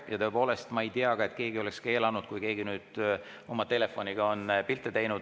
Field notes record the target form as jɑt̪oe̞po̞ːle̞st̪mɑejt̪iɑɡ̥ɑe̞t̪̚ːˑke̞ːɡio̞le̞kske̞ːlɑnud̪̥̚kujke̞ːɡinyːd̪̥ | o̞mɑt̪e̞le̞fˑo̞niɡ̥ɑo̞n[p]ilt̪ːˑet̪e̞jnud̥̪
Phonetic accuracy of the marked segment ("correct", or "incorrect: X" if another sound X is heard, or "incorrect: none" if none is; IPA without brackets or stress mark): correct